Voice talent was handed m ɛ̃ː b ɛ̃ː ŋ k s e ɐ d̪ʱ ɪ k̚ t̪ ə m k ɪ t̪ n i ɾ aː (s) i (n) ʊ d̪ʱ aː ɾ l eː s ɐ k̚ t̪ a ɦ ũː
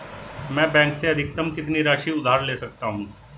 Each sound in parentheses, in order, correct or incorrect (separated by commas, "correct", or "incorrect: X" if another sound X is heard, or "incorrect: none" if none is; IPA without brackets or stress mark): incorrect: ʃ, incorrect: none